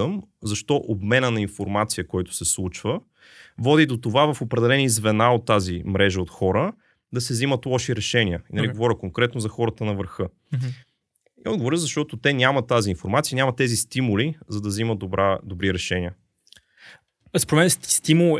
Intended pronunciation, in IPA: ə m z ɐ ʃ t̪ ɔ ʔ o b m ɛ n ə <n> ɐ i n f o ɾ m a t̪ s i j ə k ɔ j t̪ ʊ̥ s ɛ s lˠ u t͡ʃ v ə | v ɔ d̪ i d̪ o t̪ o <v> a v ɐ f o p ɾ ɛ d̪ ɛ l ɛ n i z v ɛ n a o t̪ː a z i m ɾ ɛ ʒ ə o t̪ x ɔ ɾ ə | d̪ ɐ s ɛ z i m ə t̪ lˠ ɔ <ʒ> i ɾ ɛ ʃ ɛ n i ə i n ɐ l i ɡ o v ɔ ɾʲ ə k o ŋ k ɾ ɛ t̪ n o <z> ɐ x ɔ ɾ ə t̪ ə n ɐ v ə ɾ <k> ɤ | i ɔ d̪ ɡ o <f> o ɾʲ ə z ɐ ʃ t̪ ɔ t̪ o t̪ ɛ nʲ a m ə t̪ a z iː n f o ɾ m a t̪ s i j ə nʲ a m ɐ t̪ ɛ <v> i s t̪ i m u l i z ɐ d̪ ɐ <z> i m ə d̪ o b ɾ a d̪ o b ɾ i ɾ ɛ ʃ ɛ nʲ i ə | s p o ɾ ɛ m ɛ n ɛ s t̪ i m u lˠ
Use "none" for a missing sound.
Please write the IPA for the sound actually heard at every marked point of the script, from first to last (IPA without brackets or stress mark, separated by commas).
n, v, ʃ, z, x, v, z, z